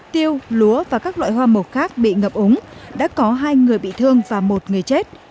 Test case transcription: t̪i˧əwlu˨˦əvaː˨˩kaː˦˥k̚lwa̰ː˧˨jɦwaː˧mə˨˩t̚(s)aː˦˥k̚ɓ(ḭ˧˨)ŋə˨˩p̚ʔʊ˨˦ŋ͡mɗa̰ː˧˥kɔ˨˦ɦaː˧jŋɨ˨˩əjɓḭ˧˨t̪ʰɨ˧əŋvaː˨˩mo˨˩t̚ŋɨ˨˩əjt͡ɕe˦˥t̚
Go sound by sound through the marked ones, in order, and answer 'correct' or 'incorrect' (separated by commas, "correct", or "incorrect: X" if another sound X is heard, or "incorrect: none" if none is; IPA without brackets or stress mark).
incorrect: x, correct